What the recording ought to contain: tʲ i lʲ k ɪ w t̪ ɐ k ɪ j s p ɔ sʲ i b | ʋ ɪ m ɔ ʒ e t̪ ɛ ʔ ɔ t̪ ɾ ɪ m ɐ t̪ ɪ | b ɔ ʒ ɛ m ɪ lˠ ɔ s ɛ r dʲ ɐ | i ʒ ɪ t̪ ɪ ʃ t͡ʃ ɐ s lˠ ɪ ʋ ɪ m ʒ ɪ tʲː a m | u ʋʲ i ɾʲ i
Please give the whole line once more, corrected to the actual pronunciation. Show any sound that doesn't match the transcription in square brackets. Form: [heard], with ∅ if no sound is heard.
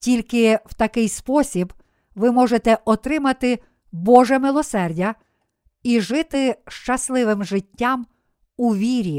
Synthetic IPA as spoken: tʲ i lʲ k ɪ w t̪ ɐ k ɪ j s p ɔ sʲ i b | ʋ ɪ m ɔ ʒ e t̪ ɛ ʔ ɔ t̪ ɾ ɪ m ɐ t̪ ɪ | b ɔ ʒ ɛ m ɪ lˠ ɔ s ɛ r dʲ ɐ | i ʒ ɪ t̪ ɪ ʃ t͡ʃ ɐ s lˠ ɪ ʋ ɪ m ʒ ɪ tʲː a m | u ʋʲ i ɾʲ i